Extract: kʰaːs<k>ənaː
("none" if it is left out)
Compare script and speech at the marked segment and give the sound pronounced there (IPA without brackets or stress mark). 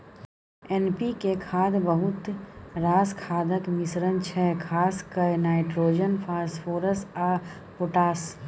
k